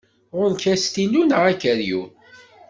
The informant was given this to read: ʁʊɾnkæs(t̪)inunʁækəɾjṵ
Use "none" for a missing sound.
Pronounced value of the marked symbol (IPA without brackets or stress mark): t̪